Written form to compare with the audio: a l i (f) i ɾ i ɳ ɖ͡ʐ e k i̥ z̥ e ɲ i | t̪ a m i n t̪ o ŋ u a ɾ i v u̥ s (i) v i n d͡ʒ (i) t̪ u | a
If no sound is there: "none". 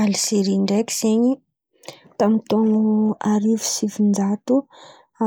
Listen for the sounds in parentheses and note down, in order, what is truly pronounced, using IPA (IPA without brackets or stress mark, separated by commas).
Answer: s, i, a